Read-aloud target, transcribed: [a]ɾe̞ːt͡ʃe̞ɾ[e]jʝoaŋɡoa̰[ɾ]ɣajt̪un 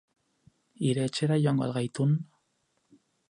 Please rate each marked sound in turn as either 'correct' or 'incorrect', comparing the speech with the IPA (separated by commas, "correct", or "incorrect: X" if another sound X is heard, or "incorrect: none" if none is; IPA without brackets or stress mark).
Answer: incorrect: i, incorrect: a, incorrect: l